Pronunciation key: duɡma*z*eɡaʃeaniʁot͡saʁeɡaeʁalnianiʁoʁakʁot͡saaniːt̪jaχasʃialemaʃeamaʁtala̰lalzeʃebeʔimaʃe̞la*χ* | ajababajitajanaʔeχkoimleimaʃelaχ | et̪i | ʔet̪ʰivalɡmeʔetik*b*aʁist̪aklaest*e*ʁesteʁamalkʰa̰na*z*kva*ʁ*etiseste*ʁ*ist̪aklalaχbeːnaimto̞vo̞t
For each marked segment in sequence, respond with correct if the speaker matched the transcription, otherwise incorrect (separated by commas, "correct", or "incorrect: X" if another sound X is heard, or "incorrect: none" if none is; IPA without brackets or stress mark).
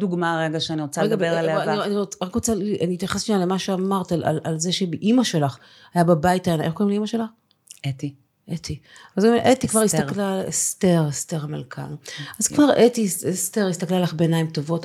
incorrect: ʁ, correct, incorrect: v, correct, correct, correct, correct